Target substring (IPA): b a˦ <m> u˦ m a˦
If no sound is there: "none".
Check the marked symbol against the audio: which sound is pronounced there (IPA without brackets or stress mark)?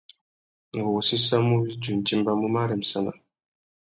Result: m